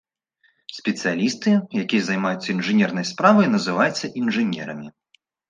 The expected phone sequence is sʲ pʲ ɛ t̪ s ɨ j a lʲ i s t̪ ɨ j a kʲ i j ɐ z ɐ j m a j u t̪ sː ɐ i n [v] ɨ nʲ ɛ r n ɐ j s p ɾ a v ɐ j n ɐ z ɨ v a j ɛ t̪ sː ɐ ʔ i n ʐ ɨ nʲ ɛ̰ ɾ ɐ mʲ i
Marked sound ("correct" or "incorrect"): incorrect